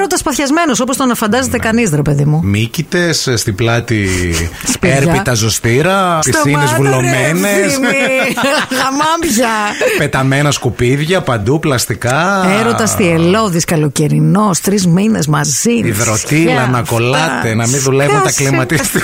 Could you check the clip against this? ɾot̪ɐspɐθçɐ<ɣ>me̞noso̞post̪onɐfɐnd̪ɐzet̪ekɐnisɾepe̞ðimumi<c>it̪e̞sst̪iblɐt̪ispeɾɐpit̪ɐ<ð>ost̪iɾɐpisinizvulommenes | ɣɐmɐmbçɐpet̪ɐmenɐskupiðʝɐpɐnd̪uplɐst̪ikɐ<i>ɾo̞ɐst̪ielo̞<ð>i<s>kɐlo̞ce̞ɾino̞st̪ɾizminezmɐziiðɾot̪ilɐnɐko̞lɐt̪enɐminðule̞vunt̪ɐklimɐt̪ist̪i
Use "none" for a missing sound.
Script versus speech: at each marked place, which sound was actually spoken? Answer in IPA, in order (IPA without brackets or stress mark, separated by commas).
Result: z, c, z, e, ð, s